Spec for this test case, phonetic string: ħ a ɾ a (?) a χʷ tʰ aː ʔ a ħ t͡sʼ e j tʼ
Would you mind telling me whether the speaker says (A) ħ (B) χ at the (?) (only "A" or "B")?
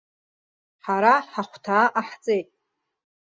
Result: A